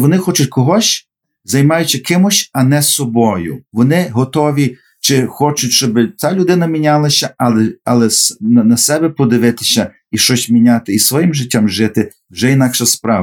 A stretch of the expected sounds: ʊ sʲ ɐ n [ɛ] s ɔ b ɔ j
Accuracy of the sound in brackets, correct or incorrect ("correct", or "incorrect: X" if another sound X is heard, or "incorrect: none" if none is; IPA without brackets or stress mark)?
correct